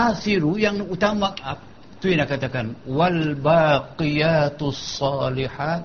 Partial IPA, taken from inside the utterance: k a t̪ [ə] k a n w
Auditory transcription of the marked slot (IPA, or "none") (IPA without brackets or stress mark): a